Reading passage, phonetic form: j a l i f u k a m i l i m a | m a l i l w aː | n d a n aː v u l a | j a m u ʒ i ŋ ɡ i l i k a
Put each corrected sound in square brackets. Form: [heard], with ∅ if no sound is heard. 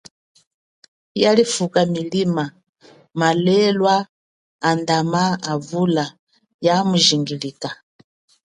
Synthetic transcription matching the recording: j a l i f u k a m i l i m a | m a l [ɛ] l w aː | n d a [m] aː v u l a | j a m u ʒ i ŋ ɡ i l i k a